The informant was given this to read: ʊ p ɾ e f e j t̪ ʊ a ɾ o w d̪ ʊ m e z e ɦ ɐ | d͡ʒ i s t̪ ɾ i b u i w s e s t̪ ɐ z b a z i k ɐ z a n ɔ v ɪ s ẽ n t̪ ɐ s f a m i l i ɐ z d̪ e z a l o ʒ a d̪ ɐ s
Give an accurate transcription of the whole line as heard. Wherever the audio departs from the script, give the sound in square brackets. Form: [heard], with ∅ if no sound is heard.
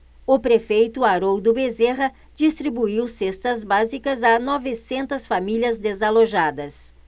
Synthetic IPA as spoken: ʊ p ɾ e f e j t̪ ʊ a ɾ o w d̪ ʊ [b] e z e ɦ ɐ | d͡ʒ i s t̪ ɾ i b u i w s e s t̪ ɐ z b a z i k ɐ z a n ɔ v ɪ s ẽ n t̪ ɐ s f a m i l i ɐ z d̪ e z a l o ʒ a d̪ ɐ s

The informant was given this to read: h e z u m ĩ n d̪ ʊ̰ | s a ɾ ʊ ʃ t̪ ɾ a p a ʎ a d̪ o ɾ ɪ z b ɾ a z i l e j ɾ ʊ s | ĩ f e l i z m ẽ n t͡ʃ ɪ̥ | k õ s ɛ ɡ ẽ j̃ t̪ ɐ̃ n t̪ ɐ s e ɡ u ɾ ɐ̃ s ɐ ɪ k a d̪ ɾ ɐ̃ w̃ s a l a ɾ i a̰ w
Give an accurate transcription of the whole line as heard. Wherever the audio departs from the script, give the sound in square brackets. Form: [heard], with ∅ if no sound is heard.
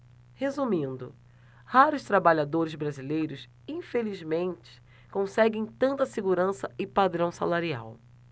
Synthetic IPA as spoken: h e z u m ĩ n d̪ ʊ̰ | [h] a ɾ ʊ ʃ t̪ ɾ a [b] a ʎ a d̪ o ɾ ɪ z b ɾ a z i l e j ɾ ʊ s | ĩ f e l i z m ẽ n t͡ʃ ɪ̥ | k õ s ɛ ɡ ẽ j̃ t̪ ɐ̃ n t̪ ɐ s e ɡ u ɾ ɐ̃ s ɐ ɪ [p] a d̪ ɾ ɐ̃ w̃ s a l a ɾ i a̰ w

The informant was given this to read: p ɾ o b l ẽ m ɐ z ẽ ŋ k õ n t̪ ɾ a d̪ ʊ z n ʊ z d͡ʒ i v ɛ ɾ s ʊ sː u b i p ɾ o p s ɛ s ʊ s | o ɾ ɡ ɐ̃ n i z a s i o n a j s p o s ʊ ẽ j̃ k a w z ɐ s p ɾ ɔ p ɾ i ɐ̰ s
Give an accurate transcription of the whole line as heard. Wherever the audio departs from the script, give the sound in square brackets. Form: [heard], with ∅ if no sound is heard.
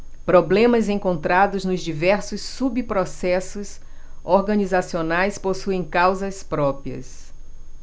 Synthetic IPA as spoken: p ɾ o b l ẽ m ɐ z ẽ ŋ k õ n t̪ ɾ a d̪ ʊ z n ʊ z d͡ʒ i v ɛ ɾ s ʊ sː u b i p ɾ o [∅] s ɛ s ʊ s | o ɾ ɡ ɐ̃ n i z a s i o n a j s p o s [u] ẽ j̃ k a w z ɐ s p ɾ ɔ p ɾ i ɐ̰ s

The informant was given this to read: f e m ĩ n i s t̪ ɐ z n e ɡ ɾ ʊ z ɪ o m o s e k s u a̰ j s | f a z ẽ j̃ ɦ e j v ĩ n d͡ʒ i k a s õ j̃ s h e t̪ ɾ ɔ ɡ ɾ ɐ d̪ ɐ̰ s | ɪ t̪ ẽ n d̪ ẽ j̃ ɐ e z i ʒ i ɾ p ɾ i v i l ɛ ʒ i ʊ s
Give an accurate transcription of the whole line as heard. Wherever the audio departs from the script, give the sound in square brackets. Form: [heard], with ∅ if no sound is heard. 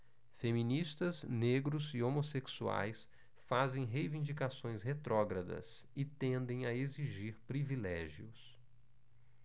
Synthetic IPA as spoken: f e m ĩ n i s t̪ ɐ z n e ɡ ɾ ʊ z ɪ o m o s e k s u a̰ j s | f a z ẽ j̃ ɦ e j v ĩ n d͡ʒ i k a s õ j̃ s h e t̪ ɾ ɔ ɡ ɾ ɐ d̪ ɐ̰ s | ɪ t̪ ẽ n d̪ ẽ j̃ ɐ e z i ʒ i ɾ p ɾ i v i l ɛ ʒ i ʊ s

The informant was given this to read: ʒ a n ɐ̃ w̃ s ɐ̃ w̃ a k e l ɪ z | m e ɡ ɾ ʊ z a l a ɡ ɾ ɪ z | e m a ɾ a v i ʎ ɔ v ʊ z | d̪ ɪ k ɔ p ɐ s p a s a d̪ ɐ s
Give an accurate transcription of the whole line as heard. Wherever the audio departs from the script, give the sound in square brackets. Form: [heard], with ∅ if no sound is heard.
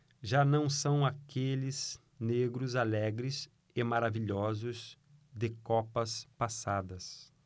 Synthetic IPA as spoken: ʒ a n ɐ̃ w̃ s ɐ̃ w̃ a k e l ɪ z | [n] e ɡ ɾ ʊ z a l [ɛ] ɡ ɾ ɪ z | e m a ɾ a v i ʎ ɔ [z] ʊ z | d̪ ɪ k ɔ p ɐ s p a s a d̪ ɐ s

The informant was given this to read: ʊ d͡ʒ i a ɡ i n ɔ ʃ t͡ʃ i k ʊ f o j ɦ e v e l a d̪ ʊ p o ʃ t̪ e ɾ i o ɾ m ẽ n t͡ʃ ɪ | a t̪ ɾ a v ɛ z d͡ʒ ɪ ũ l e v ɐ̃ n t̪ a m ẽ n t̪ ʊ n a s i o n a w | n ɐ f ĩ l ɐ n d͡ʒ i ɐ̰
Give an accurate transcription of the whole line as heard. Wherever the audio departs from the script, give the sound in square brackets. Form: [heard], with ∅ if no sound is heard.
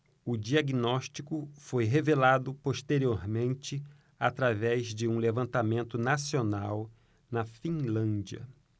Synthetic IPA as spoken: ʊ d͡ʒ i a ɡ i n ɔ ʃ t͡ʃ i k ʊ f o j ɦ e v e l a d̪ ʊ p o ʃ t̪ e ɾ i o ɾ m ẽ n t͡ʃ ɪ | a t̪ ɾ a v ɛ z d͡ʒ ɪ ũ l e v ɐ̃ n t̪ a m ẽ n t̪ ʊ n a s i o n a w | n ɐ f ĩ l [ɐ̃] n d͡ʒ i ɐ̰

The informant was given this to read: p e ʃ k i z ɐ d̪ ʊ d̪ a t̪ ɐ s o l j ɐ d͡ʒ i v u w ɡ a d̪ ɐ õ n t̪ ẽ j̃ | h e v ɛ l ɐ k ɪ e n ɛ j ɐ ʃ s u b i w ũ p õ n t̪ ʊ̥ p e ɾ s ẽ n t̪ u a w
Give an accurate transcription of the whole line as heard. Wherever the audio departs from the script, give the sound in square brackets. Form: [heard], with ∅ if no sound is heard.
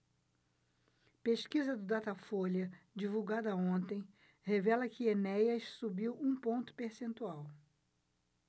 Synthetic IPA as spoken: p e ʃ k i z ɐ d̪ ʊ d̪ a t̪ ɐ [f] o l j ɐ d͡ʒ i v u w ɡ a d̪ ɐ õ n t̪ ẽ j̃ | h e v ɛ l ɐ k ɪ e n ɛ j ɐ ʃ s u b i w ũ p õ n t̪ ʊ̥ p e ɾ s ẽ n t̪ u a w

